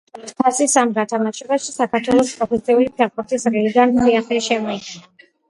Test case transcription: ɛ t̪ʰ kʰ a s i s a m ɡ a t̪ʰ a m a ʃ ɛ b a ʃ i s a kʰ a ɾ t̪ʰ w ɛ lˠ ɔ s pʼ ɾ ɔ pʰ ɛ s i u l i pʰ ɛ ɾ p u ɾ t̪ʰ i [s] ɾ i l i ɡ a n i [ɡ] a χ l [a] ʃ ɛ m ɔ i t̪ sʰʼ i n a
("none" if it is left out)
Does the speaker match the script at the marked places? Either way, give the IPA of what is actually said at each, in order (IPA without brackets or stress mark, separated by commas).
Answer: s, none, ɛ